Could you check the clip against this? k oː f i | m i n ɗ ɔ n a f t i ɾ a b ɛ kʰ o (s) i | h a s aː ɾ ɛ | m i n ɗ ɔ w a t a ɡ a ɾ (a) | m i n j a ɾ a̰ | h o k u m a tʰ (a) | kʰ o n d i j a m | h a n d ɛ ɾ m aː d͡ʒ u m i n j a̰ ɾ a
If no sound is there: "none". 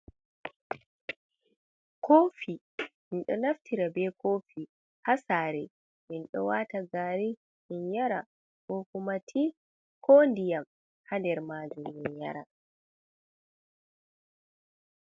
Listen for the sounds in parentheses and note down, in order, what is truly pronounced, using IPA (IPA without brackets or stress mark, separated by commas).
f, i, i